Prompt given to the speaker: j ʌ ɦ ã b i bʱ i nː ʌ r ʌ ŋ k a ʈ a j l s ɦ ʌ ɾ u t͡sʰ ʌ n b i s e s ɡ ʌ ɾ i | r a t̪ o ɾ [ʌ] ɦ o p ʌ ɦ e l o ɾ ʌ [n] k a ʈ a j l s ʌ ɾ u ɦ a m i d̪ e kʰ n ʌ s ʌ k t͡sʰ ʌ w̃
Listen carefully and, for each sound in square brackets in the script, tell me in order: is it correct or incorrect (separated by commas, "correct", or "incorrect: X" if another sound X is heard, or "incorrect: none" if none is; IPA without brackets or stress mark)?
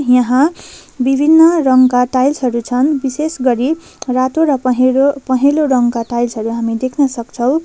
correct, incorrect: ŋ